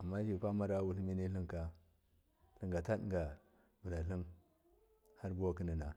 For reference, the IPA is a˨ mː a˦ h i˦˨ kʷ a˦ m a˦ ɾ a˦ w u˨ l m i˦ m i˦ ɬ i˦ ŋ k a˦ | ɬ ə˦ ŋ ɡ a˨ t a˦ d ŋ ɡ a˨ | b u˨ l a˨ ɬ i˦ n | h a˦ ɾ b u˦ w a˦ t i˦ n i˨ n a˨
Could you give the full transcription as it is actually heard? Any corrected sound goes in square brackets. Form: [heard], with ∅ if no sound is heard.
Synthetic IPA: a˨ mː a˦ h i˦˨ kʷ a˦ m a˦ ɾ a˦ w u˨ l m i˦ [n] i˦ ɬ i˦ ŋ k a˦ | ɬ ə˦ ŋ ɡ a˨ t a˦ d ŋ ɡ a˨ | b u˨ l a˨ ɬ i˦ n | h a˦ ɾ b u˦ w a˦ [k] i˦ n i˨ n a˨